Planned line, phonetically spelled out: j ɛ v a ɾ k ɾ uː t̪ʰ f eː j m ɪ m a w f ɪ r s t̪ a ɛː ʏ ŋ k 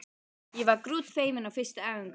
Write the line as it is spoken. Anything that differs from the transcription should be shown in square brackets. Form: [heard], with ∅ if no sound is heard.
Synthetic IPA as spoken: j ɛ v a ɾ k ɾ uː [t̪] f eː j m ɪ [n] a w f ɪ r s t̪ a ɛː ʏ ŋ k